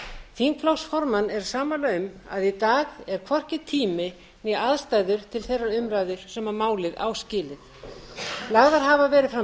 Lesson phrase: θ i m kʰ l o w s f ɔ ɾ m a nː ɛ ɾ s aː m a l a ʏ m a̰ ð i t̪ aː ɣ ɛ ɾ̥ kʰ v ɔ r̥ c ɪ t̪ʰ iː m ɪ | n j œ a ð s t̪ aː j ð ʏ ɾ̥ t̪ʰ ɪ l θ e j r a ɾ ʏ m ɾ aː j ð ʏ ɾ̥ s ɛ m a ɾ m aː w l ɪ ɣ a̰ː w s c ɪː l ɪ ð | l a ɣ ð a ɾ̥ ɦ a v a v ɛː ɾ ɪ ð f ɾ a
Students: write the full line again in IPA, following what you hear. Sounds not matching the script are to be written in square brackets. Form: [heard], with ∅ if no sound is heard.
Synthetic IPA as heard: θ i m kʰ l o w s f ɔ ɾ m a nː ɛ ɾ s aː m a l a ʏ m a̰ ð i t̪ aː ɣ ɛ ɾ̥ kʰ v ɔ r̥ c ɪ t̪ʰ iː m ɪ | n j [ɛ] a ð s t̪ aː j ð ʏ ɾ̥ t̪ʰ ɪ l θ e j r a ɾ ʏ m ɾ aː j ð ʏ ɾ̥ s ɛ m a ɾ m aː w l ɪ [ð] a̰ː w s c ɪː l ɪ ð | l a ɣ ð a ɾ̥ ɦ a v a v ɛː ɾ ɪ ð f ɾ a